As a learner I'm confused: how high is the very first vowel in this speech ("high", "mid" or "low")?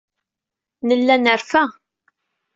mid